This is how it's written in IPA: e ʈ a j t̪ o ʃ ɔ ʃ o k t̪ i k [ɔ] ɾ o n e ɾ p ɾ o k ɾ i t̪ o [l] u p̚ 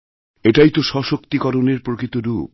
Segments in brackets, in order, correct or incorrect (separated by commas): correct, incorrect